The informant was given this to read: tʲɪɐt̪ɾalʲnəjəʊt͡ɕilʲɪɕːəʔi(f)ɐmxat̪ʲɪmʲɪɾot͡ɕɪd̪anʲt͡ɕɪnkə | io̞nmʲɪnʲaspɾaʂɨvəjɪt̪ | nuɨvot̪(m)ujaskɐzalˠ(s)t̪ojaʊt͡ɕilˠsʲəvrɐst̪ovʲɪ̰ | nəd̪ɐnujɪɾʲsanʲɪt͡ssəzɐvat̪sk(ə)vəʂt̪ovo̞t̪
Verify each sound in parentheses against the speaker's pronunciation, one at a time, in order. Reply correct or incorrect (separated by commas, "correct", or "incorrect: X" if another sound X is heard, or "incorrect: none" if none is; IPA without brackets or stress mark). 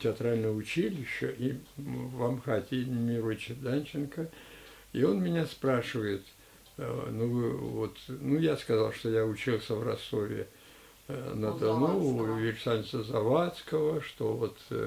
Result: incorrect: v, incorrect: n, incorrect: ʂ, correct